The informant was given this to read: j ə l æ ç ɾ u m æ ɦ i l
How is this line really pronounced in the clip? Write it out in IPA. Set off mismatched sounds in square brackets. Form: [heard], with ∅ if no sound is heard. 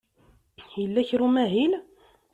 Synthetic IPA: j ə [lː] æ ç ɾ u m æ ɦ i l